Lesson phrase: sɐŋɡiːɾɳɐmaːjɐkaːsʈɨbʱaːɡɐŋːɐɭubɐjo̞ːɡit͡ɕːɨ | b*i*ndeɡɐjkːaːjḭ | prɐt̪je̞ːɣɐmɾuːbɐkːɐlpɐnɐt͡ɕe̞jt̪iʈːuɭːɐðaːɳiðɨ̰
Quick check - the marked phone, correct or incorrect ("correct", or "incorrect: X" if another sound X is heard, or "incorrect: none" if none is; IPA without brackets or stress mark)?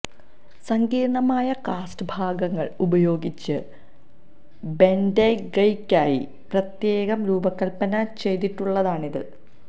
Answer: incorrect: e